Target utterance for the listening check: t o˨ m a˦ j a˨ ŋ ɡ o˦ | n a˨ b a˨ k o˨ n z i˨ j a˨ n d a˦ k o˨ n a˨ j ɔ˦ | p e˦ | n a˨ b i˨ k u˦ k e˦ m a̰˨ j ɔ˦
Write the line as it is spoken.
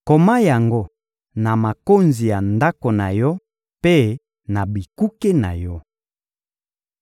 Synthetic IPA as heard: k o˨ m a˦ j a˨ ŋ ɡ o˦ | n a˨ m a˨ k o˦ n z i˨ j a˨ n d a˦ k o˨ n a˨ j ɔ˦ | p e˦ | n a˨ b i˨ k u˦ k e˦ n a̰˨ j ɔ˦